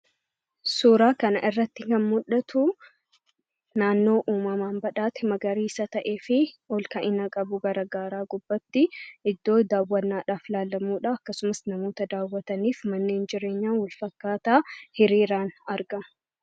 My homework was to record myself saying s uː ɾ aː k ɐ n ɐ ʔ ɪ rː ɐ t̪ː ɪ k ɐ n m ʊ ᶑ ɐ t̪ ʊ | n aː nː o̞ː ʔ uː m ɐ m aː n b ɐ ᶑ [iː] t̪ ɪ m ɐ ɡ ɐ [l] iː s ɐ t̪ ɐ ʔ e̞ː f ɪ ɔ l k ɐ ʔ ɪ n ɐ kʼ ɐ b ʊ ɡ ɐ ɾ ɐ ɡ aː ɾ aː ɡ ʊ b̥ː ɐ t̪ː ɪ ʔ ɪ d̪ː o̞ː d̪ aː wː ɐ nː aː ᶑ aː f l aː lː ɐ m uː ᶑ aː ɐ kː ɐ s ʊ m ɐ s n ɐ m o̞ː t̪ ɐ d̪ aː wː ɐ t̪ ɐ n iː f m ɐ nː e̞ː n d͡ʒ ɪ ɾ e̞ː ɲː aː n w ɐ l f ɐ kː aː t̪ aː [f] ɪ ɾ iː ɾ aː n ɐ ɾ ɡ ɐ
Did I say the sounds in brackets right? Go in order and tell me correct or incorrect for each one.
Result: incorrect: aː, incorrect: ɾ, incorrect: h

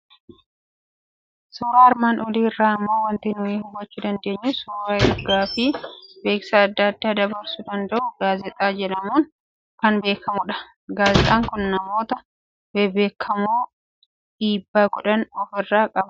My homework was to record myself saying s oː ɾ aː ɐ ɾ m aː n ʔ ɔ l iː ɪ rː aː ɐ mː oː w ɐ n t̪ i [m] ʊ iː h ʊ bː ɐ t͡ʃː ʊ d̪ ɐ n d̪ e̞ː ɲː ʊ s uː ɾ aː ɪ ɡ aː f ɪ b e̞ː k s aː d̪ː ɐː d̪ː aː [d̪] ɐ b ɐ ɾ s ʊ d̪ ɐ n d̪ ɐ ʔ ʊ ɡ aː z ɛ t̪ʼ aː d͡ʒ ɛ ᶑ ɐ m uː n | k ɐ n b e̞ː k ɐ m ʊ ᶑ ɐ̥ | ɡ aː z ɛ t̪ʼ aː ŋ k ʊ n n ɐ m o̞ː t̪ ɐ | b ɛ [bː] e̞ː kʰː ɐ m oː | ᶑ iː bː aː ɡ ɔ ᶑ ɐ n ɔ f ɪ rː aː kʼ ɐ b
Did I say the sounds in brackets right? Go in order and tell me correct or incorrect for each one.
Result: incorrect: n, correct, incorrect: b

